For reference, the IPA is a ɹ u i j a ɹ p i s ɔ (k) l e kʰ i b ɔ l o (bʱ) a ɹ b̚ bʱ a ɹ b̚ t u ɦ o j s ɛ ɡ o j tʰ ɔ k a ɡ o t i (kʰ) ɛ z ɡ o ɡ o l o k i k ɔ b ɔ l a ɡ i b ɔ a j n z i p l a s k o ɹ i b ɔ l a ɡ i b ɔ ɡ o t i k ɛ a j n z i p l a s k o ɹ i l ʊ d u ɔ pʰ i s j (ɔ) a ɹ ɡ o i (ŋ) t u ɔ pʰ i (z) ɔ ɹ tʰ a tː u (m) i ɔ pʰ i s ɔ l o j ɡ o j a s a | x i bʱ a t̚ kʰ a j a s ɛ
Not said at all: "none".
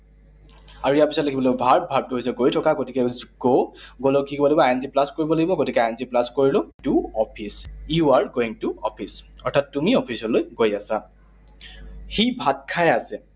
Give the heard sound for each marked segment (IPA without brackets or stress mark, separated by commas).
t, bʱ, k, u, ŋ, s, m